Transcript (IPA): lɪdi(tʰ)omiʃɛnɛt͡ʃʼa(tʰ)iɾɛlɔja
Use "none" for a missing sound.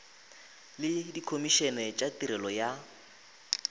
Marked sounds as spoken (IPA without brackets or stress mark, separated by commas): kʰ, t